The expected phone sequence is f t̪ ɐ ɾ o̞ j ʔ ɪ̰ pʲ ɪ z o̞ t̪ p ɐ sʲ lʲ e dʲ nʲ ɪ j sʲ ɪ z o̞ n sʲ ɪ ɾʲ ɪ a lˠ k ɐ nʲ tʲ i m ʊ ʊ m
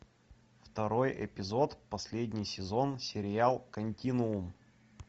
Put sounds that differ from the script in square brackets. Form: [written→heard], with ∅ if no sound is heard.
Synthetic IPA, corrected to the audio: f t̪ ɐ ɾ o̞ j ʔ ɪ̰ pʲ ɪ z o̞ t̪ p ɐ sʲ lʲ e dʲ nʲ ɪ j sʲ ɪ z o̞ n sʲ ɪ ɾʲ ɪ a lˠ k ɐ nʲ tʲ i [m→n] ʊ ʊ m

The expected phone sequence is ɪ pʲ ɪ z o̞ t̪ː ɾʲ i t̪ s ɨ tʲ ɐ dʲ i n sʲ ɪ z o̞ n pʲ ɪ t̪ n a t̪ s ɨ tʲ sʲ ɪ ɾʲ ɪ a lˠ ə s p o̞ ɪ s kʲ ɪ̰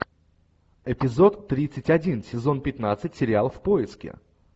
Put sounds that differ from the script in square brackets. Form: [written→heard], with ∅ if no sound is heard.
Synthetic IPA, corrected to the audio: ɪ pʲ ɪ z o̞ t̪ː ɾʲ i t̪ s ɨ tʲ ɐ dʲ i n sʲ ɪ z o̞ n pʲ ɪ t̪ n a t̪ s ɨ tʲ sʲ ɪ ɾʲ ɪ a lˠ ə [s→f] p o̞ ɪ s kʲ ɪ̰

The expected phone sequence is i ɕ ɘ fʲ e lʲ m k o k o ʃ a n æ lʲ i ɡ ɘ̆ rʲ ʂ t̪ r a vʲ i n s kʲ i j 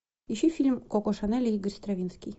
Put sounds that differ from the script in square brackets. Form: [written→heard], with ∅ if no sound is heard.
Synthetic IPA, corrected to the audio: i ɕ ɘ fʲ [e→i] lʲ m k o k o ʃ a n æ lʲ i ɡ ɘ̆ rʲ [ʂ→s] t̪ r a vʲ i n s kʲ i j

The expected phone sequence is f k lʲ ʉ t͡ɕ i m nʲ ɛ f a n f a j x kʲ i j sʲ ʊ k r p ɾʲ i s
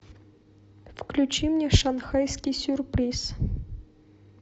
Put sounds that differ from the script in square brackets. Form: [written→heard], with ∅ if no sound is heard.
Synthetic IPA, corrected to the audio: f k lʲ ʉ t͡ɕ i m nʲ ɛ [f→ʂ] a n [f→x] a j [x→s] kʲ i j sʲ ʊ [k→∅] r p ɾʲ i s

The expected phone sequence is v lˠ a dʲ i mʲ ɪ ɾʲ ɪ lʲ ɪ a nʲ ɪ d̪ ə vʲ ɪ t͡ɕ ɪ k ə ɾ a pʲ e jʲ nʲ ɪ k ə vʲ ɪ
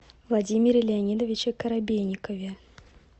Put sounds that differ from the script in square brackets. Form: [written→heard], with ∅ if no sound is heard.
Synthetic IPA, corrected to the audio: v lˠ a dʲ i mʲ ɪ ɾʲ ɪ lʲ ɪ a nʲ [ɪ→i] d̪ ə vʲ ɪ t͡ɕ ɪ k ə ɾ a [pʲ→bʲ] e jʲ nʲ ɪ k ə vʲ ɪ

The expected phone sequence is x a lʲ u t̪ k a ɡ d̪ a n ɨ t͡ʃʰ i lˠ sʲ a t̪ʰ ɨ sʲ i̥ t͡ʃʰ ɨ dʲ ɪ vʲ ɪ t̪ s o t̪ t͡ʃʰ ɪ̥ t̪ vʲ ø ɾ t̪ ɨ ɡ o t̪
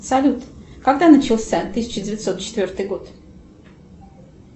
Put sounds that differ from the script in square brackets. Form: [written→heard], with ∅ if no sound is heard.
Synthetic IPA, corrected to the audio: [x→s] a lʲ u t̪ k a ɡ d̪ a n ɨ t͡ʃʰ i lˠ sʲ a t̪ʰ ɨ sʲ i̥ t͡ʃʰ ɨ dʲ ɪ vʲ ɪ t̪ s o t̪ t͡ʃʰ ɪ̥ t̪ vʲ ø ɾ t̪ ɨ ɡ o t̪

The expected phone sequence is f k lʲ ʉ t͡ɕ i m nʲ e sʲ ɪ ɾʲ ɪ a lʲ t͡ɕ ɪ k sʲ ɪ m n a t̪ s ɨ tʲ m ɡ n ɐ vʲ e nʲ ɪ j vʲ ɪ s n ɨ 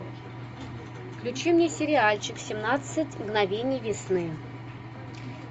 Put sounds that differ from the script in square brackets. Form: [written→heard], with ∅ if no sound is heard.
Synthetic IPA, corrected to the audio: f k lʲ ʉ t͡ɕ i m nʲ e sʲ ɪ ɾʲ ɪ a lʲ t͡ɕ ɪ k sʲ ɪ m n a t̪ s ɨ tʲ m ɡ n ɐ vʲ e nʲ ɪ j vʲ ɪ s n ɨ

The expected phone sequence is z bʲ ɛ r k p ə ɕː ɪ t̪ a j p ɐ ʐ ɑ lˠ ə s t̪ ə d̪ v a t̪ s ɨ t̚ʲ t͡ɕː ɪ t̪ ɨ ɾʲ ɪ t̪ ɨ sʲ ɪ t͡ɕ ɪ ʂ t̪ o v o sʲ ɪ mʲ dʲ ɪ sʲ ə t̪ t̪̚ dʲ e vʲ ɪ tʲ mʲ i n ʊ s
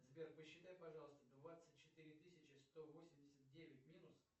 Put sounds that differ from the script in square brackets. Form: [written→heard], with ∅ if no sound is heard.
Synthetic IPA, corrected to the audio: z bʲ [ɛ→e] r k p ə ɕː ɪ t̪ a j p ɐ ʐ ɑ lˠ ə s t̪ ə d̪ v a t̪ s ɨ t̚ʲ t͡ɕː ɪ t̪ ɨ ɾʲ ɪ t̪ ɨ sʲ ɪ t͡ɕ ɪ [ʂ→s] t̪ o v o sʲ ɪ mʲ dʲ ɪ sʲ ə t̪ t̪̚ dʲ e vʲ ɪ tʲ mʲ i n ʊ s

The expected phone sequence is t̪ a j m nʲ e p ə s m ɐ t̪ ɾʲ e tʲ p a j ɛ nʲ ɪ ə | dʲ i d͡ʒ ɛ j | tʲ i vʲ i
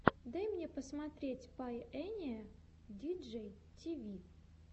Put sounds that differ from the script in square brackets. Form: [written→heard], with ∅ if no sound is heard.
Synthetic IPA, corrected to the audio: [t̪→d̪] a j m nʲ e p ə s m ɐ t̪ ɾʲ e tʲ p a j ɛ nʲ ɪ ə | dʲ i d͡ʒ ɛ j | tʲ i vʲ i

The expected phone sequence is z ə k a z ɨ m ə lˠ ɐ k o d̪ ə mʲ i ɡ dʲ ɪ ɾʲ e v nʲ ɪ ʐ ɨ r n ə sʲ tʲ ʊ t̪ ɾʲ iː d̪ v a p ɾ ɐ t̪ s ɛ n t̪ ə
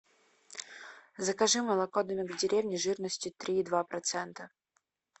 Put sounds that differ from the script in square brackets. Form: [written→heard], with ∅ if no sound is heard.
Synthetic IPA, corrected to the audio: z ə k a [z→ʐ] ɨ m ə lˠ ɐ k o d̪ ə mʲ [i→ɪ] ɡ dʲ ɪ ɾʲ e v nʲ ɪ ʐ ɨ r n ə sʲ tʲ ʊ t̪ ɾʲ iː d̪ v a p ɾ ɐ t̪ s ɛ n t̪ ə

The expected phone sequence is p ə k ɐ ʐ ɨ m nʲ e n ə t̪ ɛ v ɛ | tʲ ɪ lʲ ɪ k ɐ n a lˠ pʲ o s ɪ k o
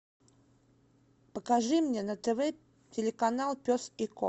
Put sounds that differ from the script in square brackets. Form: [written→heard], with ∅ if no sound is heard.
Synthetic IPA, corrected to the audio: p ə k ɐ ʐ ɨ m nʲ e n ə t̪ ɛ v ɛ | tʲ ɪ lʲ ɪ k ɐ n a lˠ pʲ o s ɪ k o

